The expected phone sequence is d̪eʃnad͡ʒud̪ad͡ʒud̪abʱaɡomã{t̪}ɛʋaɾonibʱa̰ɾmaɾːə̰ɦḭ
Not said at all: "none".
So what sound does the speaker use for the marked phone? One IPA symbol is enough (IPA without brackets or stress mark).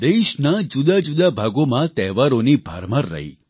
t̪